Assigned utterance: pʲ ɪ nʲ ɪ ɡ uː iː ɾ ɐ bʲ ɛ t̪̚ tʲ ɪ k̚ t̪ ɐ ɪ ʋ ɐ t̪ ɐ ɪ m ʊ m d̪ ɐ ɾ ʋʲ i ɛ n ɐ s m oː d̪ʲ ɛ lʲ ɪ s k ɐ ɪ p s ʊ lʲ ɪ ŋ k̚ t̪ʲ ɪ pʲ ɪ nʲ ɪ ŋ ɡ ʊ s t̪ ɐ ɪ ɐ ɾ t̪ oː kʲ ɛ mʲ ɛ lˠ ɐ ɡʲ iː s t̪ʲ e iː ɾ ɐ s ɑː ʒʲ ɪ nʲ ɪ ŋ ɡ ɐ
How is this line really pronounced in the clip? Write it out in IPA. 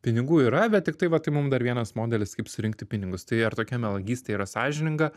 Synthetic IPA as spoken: pʲ ɪ nʲ ɪ ɡ uː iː ɾ ɐ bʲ ɛ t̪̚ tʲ ɪ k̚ t̪ ɐ ɪ ʋ ɐ t̪ ɐ ɪ m ʊ m d̪ ɐ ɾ ʋʲ i ɛ n ɐ s m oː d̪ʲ ɛ lʲ ɪ s k ɐ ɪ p s ʊ ɾʲ ɪ ŋ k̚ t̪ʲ ɪ pʲ ɪ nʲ ɪ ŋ ɡ ʊ s t̪ ɐ ɪ ɐ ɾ t̪ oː kʲ ɛ mʲ ɛ lˠ ɐ ɡʲ iː s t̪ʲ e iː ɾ ɐ s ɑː ʒʲ ɪ nʲ ɪ ŋ ɡ ɐ

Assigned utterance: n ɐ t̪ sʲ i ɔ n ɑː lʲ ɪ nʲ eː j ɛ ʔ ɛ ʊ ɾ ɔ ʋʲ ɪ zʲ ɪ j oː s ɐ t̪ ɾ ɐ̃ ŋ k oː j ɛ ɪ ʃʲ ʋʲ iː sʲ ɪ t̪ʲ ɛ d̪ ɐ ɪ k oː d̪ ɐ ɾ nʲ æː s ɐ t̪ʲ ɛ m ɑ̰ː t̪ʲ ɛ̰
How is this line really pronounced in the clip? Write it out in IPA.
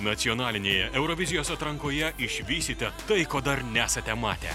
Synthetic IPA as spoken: n ɐ t̪ sʲ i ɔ n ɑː lʲ ɪ nʲ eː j ɛ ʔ ɛ ʊ ɾ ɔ ʋʲ ɪ zʲ ɪ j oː s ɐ t̪ ɾ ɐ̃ ŋ k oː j ɛ ɪ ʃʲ ʋʲ iː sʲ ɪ t̪ʲ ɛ t̪ ɐ ɪ k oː d̪ ɐ ɾ nʲ æː s ɐ t̪ʲ ɛ m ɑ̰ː t̪ʲ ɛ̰

